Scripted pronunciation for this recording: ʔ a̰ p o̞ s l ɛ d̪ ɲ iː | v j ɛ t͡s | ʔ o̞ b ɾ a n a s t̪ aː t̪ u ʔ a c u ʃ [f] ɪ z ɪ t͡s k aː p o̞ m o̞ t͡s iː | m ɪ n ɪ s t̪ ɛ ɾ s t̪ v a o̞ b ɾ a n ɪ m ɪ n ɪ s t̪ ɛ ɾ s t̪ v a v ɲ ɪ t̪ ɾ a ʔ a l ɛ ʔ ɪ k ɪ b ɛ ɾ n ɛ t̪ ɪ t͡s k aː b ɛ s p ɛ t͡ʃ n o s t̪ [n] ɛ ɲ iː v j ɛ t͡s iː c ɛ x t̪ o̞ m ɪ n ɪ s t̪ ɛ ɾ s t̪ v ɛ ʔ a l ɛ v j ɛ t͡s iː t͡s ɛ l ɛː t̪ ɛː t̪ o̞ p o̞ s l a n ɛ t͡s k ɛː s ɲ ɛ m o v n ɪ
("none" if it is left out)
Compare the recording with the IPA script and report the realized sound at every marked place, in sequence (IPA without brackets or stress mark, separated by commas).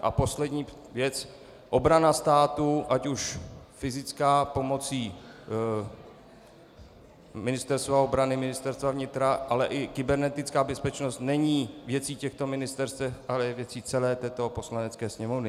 f, n